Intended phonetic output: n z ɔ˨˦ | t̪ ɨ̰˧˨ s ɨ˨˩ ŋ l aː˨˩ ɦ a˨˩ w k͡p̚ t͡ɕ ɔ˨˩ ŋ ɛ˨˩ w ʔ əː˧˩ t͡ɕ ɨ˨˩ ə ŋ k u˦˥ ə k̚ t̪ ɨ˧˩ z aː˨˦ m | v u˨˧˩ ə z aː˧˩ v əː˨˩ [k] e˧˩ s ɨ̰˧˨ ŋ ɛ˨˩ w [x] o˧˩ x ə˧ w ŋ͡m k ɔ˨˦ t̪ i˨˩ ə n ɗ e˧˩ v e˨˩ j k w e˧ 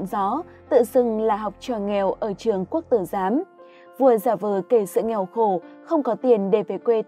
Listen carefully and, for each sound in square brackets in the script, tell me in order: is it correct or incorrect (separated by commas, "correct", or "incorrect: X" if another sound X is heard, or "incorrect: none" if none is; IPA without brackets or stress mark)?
correct, correct